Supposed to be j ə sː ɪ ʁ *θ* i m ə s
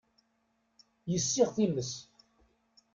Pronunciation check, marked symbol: correct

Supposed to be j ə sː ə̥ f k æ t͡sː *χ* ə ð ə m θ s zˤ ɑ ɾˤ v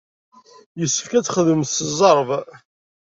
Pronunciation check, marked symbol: correct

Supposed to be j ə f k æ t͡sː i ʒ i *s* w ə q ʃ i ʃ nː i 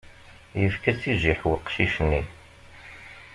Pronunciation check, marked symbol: incorrect: ħ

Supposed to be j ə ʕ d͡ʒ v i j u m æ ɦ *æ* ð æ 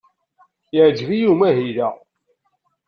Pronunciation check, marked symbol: incorrect: i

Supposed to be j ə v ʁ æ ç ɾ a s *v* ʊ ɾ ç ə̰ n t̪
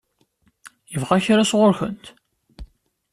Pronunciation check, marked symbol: incorrect: ʁ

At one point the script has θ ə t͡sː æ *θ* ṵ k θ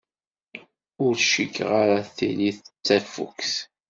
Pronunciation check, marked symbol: incorrect: f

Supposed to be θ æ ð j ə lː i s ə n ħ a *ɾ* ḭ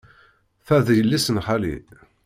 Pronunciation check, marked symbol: incorrect: l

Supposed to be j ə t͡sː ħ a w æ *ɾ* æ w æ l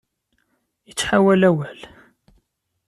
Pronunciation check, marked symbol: incorrect: l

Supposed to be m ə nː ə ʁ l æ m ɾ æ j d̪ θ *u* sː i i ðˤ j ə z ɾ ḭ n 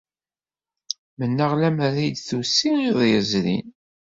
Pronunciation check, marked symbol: correct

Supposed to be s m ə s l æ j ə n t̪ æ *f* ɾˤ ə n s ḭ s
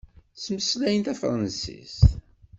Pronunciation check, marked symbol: correct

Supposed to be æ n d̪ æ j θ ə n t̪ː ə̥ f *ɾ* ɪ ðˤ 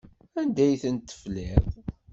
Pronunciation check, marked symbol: incorrect: l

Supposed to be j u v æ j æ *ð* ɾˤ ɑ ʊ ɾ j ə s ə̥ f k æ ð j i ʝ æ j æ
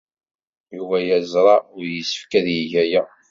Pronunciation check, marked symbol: incorrect: z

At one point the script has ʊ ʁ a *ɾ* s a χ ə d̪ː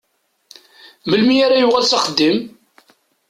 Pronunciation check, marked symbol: incorrect: l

